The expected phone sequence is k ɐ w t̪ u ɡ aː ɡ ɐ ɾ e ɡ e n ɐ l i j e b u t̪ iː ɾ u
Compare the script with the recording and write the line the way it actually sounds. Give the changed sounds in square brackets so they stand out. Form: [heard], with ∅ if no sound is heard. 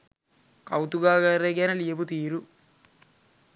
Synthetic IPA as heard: k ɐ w t̪ u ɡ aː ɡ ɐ ɾ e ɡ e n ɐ l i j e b u t̪ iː ɾ u